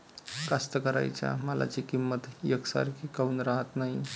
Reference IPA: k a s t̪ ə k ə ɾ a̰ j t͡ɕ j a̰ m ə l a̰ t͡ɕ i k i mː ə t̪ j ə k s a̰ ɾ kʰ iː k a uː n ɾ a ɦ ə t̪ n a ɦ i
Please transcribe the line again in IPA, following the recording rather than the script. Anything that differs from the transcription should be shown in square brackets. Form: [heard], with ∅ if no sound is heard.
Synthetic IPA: k a s t̪ ə k ə ɾ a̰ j t͡ɕ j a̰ m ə l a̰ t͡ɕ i k i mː ə t̪ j ə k s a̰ ɾ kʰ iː k a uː n ɾ a ɦ ə t̪ n a ɦ i